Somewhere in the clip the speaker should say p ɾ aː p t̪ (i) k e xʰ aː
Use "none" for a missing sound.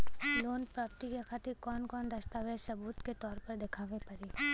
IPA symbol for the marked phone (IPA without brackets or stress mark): i